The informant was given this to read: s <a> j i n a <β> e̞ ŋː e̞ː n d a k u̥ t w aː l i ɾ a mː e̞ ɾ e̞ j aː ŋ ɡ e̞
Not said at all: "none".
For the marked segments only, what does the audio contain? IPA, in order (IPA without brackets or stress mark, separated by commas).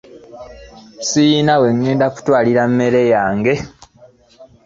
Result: i, w